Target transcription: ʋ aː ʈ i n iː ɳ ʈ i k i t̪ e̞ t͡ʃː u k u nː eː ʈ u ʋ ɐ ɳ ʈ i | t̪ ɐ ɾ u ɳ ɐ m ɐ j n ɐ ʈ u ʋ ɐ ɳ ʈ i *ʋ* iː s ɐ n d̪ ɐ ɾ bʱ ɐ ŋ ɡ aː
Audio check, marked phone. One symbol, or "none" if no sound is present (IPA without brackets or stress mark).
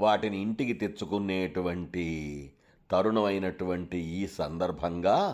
none